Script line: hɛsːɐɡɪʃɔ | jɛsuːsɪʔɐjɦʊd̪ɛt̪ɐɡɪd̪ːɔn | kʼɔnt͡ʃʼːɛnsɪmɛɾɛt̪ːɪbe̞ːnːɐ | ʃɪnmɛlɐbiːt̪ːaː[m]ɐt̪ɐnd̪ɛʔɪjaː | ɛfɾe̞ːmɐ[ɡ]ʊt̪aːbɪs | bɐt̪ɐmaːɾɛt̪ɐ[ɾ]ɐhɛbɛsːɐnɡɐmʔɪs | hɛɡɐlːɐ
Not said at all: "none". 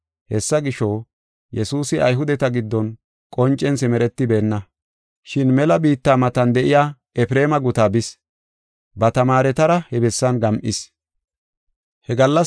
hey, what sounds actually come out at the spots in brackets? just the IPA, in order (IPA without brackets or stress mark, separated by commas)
m, ɡ, ɾ